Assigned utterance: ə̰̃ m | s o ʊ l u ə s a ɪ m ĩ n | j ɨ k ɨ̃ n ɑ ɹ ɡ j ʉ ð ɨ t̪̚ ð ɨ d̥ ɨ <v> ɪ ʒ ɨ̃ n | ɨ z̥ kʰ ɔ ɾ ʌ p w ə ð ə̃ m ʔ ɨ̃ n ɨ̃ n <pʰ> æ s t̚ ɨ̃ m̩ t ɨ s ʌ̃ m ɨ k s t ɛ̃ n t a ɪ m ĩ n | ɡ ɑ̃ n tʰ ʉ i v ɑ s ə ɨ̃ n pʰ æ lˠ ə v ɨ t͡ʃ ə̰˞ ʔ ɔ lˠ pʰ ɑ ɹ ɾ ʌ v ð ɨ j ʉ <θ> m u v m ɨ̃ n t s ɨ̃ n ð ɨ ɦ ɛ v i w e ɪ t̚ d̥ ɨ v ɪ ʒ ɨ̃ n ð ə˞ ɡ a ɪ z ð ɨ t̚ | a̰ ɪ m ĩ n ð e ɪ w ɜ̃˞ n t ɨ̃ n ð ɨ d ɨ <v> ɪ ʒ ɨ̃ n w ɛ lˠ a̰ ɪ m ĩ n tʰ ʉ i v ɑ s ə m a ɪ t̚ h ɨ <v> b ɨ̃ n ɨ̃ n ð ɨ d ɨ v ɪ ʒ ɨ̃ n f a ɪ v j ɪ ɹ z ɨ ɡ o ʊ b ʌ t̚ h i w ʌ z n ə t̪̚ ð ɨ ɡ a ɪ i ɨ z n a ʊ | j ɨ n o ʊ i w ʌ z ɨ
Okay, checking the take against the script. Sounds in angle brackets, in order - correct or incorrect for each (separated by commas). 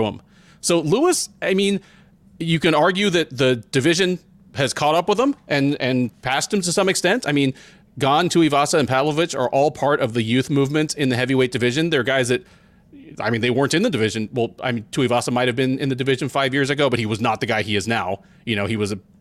correct, correct, correct, correct, correct